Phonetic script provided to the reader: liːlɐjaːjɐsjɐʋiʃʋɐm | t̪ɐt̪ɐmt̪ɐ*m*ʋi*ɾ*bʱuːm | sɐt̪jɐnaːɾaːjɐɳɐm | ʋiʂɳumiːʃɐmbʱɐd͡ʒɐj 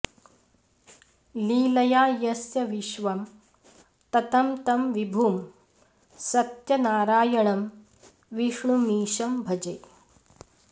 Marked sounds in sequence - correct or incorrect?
correct, incorrect: none

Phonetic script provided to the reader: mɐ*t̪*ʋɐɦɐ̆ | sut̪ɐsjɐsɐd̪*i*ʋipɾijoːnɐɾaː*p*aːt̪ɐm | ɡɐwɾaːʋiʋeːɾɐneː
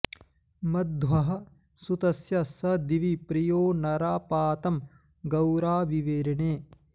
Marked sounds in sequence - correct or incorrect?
incorrect: d̪, correct, correct

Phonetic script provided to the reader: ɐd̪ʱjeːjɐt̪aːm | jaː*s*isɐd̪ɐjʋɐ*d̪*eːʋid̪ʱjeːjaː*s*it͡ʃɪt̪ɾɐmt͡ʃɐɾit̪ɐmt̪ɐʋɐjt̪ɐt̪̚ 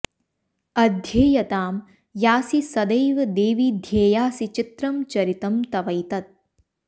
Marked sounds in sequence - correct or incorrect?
correct, correct, correct

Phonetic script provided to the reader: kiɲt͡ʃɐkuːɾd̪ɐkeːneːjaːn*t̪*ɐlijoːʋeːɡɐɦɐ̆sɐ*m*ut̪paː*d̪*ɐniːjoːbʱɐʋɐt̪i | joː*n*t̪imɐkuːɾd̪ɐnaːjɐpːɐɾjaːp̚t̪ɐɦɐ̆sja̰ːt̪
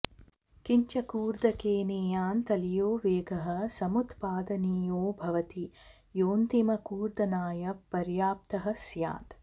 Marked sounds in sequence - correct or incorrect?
correct, correct, correct, correct

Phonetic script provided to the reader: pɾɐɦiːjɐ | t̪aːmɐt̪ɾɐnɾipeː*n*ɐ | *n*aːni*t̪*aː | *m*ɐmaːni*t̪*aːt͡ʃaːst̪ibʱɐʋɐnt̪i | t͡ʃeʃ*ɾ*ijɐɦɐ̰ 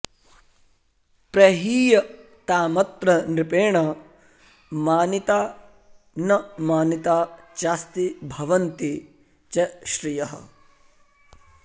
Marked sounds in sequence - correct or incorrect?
incorrect: ɳ, incorrect: m, correct, incorrect: n, correct, correct

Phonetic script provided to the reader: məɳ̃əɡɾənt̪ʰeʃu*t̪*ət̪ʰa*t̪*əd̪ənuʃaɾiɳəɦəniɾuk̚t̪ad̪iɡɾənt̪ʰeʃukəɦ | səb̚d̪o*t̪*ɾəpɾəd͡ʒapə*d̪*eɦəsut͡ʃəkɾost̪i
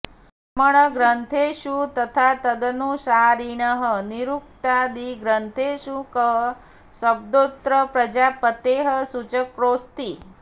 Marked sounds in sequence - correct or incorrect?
correct, correct, correct, incorrect: t̪

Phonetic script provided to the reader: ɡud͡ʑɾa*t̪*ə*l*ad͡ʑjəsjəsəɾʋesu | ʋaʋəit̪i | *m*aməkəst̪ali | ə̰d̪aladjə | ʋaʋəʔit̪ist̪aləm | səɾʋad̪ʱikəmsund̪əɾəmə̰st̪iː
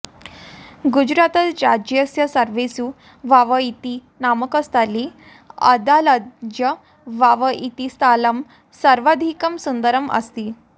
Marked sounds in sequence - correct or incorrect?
correct, incorrect: ɾ, incorrect: n

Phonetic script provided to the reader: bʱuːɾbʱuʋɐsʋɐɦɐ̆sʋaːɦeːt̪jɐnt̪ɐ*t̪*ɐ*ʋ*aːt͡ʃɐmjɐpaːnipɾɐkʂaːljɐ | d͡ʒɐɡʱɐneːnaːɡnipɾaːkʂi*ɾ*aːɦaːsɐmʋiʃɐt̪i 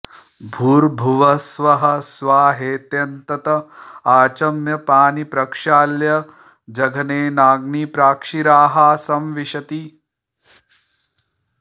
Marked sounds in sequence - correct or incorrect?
correct, incorrect: none, correct

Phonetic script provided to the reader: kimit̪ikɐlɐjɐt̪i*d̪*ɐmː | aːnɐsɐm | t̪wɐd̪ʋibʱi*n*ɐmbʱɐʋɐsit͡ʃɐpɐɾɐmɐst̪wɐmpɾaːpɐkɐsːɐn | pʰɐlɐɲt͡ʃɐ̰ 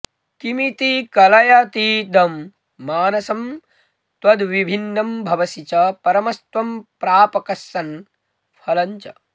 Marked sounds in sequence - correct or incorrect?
correct, incorrect: nː

